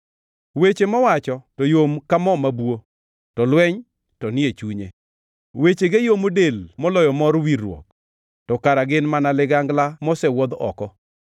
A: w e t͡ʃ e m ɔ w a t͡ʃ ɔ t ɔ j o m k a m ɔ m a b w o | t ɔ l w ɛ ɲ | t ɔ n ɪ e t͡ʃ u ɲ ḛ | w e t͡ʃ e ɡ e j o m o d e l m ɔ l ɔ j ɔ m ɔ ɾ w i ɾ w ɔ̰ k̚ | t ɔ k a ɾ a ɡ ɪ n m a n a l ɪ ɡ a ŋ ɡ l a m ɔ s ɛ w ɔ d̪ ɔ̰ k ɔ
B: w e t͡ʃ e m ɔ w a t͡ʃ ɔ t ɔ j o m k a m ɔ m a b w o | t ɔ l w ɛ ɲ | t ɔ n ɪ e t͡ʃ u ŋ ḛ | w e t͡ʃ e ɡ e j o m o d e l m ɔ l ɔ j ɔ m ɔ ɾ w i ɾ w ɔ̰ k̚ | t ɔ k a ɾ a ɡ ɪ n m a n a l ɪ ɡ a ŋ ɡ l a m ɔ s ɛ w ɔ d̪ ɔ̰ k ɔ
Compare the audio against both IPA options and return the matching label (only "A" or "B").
A